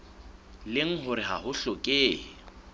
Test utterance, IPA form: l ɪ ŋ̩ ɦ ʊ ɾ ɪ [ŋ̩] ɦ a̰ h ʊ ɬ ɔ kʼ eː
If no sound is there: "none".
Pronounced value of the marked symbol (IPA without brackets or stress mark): none